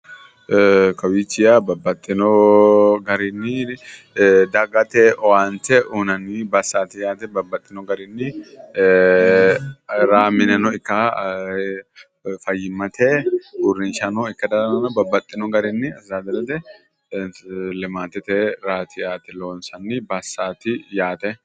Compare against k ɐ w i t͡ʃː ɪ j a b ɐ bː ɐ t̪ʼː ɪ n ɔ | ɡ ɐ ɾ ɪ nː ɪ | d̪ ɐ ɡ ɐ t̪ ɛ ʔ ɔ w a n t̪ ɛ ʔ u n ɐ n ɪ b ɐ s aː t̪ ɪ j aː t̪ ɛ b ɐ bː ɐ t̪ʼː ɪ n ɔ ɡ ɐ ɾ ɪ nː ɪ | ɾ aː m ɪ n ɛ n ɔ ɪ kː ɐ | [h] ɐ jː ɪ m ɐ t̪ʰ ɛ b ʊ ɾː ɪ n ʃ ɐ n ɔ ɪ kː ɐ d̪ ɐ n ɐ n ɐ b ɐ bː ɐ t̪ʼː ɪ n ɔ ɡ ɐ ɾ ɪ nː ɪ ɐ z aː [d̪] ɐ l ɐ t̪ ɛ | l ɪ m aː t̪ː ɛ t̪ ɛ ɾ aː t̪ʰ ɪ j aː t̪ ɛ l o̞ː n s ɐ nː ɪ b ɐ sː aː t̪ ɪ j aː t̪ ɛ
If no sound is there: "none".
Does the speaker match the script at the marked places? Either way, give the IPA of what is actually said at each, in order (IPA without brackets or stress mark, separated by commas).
f, d̪